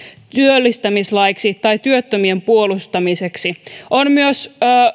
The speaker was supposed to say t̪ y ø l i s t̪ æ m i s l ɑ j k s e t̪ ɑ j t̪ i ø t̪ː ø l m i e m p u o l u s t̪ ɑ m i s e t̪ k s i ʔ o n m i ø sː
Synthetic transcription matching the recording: t̪ y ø lː i s t̪ æ m i s l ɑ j k s i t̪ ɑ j t̪ y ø t̪ː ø m i e m p u o l u s t̪ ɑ m i s e k s i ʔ o n m y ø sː